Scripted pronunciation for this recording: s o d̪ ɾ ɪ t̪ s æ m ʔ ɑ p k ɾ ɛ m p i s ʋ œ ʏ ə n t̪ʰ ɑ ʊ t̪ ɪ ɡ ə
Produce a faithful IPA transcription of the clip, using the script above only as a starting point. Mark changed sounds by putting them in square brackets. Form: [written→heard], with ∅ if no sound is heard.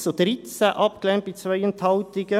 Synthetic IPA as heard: s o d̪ ɾ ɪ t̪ s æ [m→∅] ʔ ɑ p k [ɾ→l] ɛ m p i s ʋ œ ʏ ə n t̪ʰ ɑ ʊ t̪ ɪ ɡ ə